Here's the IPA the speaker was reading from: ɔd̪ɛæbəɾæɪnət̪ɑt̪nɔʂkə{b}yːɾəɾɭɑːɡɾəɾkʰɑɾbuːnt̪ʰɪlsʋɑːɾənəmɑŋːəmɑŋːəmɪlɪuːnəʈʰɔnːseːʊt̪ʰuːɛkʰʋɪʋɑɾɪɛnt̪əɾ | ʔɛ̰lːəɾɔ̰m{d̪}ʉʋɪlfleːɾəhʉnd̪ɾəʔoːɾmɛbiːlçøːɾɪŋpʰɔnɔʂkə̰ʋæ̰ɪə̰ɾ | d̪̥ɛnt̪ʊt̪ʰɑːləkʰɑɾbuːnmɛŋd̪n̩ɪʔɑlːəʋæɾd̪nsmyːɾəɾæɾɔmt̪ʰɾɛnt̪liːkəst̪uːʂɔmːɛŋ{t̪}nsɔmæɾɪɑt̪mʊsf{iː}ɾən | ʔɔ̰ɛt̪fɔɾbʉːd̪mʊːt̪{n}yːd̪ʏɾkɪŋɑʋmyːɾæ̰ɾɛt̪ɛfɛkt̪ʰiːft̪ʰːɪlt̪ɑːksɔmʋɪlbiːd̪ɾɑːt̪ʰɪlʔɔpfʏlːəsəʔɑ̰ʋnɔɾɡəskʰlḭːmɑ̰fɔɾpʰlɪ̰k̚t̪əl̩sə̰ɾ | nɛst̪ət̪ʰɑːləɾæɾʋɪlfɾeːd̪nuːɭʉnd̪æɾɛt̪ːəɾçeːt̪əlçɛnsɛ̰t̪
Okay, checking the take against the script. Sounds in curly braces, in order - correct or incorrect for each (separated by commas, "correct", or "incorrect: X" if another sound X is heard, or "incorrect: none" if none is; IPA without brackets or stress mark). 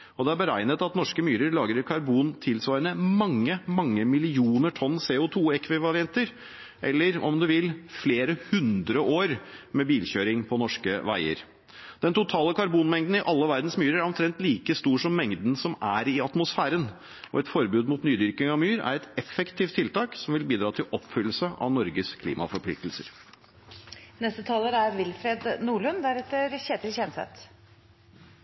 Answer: incorrect: m, correct, incorrect: d̪, incorrect: æː, correct